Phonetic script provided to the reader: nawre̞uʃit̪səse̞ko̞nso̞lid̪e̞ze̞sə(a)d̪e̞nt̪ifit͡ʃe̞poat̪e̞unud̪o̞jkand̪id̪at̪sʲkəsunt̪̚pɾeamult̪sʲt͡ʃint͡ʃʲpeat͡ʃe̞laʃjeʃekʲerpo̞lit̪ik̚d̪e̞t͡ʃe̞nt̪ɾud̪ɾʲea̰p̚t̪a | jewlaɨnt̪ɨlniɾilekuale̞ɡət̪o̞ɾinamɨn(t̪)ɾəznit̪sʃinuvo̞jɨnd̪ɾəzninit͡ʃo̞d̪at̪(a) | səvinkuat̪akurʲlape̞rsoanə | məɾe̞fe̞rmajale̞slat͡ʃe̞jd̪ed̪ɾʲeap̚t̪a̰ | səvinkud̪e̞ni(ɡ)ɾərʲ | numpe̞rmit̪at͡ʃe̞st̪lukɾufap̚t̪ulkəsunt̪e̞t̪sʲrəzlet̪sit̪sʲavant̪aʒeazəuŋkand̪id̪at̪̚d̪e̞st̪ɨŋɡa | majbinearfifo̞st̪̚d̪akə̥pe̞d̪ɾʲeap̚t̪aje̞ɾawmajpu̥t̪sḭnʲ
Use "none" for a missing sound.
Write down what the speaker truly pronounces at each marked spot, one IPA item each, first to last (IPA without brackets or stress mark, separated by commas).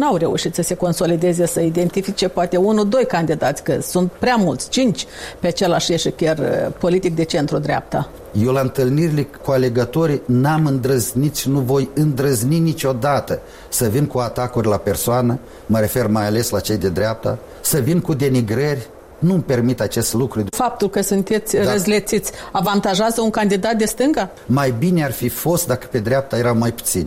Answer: i, d̪, ə, ɡ